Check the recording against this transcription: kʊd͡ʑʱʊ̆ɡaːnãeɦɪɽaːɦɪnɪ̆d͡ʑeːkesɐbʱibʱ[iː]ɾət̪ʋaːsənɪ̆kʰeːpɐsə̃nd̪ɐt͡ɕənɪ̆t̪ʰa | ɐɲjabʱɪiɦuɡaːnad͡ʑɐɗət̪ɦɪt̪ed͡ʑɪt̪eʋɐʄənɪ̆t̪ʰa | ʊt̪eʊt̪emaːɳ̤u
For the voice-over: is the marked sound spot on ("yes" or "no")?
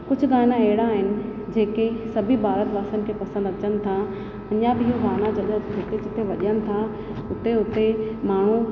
no